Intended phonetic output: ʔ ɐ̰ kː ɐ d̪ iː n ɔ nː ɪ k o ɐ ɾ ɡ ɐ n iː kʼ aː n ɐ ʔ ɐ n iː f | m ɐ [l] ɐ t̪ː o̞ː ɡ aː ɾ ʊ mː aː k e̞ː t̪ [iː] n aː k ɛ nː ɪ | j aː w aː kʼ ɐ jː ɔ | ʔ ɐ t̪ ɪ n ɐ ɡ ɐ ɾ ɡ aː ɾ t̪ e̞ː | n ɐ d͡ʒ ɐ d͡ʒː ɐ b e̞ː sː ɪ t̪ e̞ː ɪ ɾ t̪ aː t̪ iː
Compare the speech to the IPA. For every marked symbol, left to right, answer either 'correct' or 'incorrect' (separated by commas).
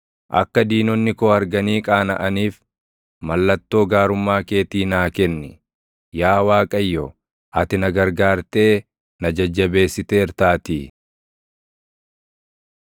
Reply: incorrect, correct